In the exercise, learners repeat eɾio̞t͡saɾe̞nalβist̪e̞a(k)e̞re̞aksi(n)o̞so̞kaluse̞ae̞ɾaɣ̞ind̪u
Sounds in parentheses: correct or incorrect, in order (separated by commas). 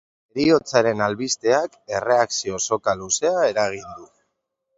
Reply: correct, incorrect